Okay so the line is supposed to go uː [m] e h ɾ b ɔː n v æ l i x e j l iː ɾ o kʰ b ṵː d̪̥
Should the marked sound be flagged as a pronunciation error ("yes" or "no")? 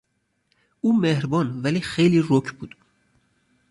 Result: no